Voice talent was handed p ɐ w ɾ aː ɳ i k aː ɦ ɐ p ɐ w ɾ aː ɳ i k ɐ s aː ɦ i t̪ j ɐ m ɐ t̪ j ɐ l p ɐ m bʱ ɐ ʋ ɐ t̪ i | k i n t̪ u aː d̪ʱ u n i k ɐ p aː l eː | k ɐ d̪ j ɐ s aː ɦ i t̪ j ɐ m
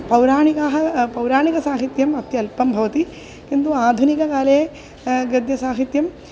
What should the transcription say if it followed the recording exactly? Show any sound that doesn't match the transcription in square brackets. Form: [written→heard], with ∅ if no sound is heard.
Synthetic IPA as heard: p ɐ w ɾ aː ɳ i k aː ɦ ɐ p ɐ w ɾ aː ɳ i k ɐ s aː ɦ i t̪ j ɐ m ɐ t̪ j ɐ l p ɐ m bʱ ɐ ʋ ɐ t̪ i | k i n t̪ u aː d̪ʱ u n i k ɐ [p→k] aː l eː | [k→ɡ] ɐ d̪ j ɐ s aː ɦ i t̪ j ɐ m